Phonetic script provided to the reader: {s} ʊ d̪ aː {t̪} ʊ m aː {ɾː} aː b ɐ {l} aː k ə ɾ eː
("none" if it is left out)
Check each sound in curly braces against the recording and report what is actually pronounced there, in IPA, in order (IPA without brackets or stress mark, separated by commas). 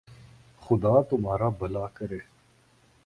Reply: x, t̪, ɾ, l